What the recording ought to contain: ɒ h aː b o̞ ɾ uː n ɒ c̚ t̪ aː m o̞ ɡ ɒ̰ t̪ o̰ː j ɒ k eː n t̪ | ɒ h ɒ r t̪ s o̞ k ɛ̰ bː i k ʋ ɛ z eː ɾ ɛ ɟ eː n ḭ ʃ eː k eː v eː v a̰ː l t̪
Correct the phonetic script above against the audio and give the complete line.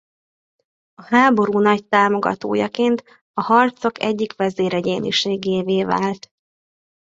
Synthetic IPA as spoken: ɒ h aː b o̞ ɾ uː n ɒ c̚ t̪ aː m o̞ ɡ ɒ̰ t̪ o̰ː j ɒ k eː n t̪ | ɒ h ɒ r t̪ s o̞ k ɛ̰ ɟː i k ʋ ɛ z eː ɾ ɛ ɟ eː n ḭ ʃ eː ɡ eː v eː v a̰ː l t̪